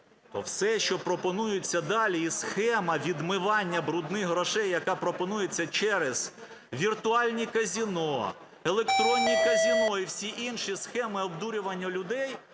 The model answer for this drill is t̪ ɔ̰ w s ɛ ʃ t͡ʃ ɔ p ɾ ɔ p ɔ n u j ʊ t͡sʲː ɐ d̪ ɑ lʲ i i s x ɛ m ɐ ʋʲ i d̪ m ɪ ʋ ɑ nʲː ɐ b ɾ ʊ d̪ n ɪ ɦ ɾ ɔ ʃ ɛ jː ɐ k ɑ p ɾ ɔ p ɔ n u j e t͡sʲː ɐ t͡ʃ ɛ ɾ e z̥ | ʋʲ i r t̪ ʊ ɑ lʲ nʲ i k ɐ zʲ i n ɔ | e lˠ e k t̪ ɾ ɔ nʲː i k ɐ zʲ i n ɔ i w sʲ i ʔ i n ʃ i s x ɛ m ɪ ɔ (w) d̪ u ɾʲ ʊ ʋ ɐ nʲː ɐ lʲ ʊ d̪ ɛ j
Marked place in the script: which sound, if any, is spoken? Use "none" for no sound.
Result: b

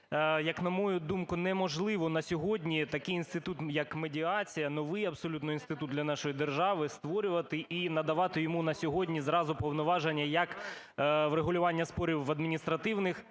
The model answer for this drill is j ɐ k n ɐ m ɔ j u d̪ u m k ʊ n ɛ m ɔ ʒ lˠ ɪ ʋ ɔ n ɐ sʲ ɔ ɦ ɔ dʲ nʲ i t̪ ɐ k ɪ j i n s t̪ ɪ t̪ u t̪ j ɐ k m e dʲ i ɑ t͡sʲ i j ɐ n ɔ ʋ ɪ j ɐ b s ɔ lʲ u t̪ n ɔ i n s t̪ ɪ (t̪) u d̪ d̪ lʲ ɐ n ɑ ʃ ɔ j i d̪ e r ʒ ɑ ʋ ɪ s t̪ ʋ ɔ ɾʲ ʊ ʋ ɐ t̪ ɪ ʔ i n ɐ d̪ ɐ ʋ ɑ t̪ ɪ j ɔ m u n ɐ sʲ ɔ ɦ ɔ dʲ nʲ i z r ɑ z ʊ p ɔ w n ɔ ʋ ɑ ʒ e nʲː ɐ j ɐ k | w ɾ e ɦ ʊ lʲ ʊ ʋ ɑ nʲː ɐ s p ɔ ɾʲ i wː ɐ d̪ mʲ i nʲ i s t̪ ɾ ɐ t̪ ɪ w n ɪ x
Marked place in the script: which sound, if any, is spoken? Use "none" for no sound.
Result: t̪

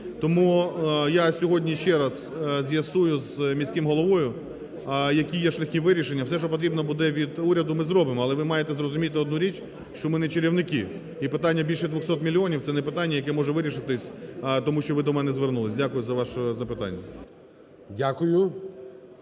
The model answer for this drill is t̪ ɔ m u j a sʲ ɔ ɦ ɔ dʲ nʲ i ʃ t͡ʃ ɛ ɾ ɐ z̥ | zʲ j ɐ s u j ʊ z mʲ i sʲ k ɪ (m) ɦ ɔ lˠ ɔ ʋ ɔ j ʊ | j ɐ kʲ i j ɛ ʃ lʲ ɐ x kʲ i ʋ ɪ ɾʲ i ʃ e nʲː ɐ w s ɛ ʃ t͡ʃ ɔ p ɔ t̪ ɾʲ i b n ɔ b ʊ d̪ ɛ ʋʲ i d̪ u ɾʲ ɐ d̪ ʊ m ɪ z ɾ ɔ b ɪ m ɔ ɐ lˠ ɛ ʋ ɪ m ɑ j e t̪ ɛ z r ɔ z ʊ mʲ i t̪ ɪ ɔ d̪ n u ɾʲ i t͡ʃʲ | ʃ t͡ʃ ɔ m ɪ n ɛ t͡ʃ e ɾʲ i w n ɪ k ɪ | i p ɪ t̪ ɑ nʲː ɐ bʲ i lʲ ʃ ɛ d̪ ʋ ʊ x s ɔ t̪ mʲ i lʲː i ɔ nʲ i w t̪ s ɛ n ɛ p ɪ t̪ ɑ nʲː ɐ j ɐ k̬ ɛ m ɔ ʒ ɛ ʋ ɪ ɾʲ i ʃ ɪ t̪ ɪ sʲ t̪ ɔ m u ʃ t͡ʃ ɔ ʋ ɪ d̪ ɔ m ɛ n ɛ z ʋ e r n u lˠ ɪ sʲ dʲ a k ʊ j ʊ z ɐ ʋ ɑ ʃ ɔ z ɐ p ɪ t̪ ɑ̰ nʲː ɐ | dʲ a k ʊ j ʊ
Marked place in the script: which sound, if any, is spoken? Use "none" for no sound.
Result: m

